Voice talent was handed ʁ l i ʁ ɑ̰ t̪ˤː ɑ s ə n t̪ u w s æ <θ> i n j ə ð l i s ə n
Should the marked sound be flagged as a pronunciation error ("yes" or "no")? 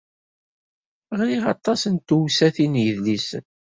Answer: no